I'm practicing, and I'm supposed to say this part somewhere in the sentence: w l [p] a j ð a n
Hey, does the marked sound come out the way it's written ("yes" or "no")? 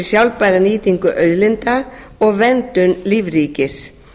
yes